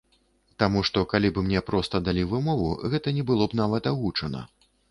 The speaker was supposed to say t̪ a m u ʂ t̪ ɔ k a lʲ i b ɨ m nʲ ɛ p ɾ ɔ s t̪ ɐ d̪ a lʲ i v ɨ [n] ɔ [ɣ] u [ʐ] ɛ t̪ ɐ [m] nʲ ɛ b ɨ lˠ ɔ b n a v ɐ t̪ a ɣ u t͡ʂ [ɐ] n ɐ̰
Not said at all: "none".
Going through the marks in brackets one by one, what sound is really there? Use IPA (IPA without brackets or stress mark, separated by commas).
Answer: m, v, ɣ, none, ɐ